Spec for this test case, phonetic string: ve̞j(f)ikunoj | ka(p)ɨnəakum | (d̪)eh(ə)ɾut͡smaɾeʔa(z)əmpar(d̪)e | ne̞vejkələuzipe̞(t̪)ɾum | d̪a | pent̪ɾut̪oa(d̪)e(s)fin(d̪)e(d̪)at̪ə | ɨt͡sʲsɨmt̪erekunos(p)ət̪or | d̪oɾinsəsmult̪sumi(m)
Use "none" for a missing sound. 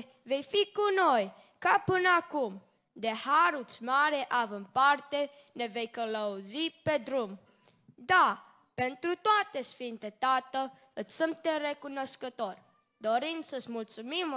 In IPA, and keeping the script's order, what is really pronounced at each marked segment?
f, p, d̪, a, v, t̪, d̪, t̪, s, t̪, t̪, k, m

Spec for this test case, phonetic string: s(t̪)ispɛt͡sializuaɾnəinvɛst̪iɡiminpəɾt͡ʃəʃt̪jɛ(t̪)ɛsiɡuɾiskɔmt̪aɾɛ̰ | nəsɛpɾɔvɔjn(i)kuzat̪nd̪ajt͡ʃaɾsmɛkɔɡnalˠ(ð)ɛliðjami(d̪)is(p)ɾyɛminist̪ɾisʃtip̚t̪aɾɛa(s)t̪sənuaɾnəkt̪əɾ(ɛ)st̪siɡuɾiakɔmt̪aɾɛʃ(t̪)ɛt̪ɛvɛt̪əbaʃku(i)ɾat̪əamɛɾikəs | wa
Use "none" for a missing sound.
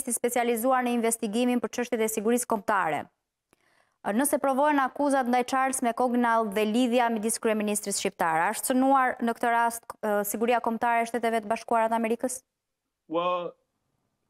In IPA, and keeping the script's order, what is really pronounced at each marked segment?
t̪, t̪, a, ð, d̪, k, ʃ, a, t̪, a

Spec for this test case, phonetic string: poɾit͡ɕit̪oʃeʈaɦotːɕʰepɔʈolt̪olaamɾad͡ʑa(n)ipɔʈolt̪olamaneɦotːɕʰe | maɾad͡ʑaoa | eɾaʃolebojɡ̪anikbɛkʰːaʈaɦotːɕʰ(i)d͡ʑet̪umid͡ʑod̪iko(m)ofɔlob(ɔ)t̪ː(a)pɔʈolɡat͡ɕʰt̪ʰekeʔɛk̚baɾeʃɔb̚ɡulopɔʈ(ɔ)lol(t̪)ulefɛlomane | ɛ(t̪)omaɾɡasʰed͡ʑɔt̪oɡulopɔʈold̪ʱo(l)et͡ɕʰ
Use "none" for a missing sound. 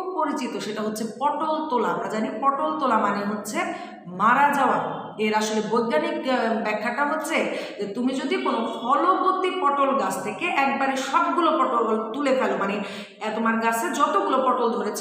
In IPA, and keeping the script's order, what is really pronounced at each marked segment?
n, e, n, o, i, o, t̪, t̪, ɾ

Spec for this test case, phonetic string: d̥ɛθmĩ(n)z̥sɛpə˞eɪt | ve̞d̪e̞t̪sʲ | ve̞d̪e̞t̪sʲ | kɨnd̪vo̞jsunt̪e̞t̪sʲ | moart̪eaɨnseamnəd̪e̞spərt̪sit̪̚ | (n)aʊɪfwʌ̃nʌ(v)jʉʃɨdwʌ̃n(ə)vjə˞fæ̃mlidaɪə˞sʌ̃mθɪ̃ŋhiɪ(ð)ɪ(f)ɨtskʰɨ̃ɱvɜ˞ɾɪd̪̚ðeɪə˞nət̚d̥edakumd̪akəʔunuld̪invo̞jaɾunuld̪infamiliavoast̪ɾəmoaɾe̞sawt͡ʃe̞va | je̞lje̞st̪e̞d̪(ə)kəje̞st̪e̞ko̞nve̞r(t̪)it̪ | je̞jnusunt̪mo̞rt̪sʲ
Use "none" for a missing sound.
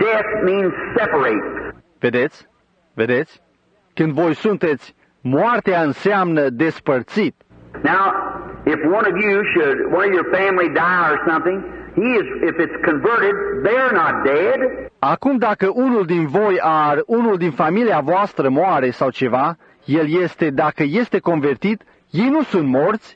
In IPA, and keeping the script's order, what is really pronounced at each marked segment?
n, n, v, ʌ, z, f, a, t̪

